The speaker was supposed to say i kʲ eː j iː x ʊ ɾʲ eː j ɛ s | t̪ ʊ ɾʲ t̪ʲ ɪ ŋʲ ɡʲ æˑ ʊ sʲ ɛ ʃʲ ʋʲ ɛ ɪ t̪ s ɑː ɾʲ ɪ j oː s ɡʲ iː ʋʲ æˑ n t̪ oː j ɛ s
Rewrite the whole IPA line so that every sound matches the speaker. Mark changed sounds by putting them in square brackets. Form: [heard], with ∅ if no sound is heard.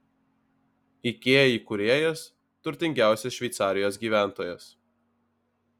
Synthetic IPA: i kʲ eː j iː [k] ʊ ɾʲ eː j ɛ s | t̪ ʊ ɾʲ t̪ʲ ɪ ŋʲ ɡʲ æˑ ʊ sʲ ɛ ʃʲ ʋʲ ɛ ɪ t̪ s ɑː ɾʲ ɪ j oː s ɡʲ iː ʋʲ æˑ n t̪ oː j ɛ s